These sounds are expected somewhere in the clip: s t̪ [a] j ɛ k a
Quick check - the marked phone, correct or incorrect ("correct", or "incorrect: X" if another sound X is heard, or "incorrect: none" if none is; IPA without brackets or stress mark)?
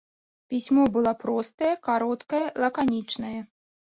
incorrect: ɐ